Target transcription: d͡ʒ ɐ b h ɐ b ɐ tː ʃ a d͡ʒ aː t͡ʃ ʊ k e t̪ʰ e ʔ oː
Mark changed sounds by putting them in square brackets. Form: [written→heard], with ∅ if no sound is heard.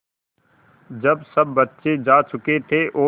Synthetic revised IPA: d͡ʒ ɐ b [h→s] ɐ [b→bː] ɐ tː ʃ [a→e] d͡ʒ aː t͡ʃ ʊ k e t̪ʰ e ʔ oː